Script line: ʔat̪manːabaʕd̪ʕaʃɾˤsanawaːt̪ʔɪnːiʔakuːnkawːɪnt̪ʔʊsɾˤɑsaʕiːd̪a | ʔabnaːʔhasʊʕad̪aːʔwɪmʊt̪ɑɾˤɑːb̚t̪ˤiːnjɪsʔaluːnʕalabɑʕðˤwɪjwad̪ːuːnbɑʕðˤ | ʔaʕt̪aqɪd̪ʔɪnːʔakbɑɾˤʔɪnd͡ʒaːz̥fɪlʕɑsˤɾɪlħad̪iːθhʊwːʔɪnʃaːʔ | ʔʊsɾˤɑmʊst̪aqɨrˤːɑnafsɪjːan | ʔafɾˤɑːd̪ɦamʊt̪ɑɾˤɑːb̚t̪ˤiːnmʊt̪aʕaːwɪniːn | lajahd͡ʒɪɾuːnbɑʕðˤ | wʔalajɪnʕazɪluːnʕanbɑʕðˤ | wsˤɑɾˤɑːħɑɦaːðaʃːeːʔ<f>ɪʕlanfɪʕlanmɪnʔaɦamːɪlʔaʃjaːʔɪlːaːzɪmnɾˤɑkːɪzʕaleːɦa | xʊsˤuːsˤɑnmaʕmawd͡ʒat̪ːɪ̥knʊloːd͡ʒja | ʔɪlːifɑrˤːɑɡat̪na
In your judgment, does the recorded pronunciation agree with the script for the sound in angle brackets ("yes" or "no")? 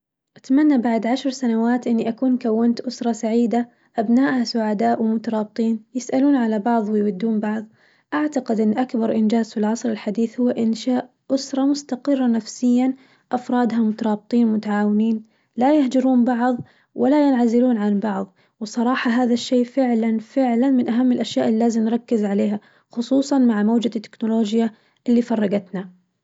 yes